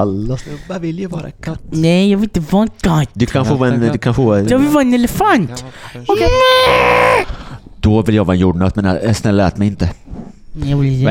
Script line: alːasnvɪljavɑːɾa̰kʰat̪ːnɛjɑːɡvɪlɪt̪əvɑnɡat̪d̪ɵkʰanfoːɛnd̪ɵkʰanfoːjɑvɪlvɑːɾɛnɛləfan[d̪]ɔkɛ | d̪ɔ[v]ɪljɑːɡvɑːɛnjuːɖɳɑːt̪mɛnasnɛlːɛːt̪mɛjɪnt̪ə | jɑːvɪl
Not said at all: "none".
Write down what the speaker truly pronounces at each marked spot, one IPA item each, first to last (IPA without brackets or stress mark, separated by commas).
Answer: t̪, v